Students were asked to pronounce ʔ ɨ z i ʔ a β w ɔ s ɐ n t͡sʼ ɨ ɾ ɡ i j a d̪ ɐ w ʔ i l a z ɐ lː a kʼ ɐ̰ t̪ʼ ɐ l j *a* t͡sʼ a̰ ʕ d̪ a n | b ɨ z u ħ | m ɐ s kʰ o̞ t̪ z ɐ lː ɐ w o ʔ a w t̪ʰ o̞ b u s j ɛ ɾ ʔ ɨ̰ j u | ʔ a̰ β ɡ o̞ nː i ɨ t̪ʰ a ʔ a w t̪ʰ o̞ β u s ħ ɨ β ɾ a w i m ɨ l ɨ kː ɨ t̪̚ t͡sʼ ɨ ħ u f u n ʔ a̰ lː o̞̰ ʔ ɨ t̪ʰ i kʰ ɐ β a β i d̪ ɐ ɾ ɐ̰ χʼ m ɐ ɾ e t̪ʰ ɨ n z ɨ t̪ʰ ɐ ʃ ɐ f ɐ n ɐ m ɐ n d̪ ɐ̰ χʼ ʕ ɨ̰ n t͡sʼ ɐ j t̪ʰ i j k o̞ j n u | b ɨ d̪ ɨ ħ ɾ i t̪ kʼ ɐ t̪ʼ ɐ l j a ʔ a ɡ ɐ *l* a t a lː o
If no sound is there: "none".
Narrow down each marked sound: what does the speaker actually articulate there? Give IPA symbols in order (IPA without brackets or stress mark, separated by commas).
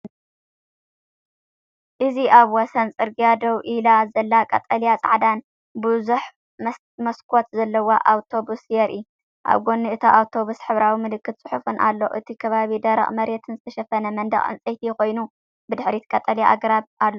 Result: a, ɾ